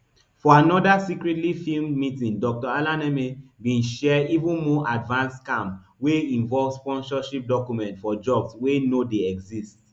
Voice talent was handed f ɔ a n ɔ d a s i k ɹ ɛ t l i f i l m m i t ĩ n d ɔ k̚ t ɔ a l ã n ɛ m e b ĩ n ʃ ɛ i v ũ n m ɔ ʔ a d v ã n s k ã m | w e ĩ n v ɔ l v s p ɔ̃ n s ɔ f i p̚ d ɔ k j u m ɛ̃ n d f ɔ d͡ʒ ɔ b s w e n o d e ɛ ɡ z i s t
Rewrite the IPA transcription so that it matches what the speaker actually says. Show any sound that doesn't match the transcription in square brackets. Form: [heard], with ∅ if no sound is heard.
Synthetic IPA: f ɔ a n ɔ d a s i k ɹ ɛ t l i f i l m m i t ĩ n d ɔ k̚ t ɔ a l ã n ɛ m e b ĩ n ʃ ɛ i v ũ n m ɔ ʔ a d v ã n s k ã m | w e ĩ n v ɔ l v s p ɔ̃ n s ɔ [ʃ] i p̚ d ɔ k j u m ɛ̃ n [t] f ɔ d͡ʒ ɔ b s w e n o d e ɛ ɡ z i s t